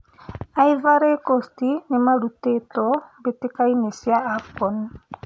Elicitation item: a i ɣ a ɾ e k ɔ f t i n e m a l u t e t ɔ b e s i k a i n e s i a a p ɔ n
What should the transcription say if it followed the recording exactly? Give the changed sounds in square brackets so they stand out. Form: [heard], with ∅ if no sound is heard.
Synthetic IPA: a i [v] a ɾ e k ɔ [s] t i n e m a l u t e t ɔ b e [t] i k a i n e s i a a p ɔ n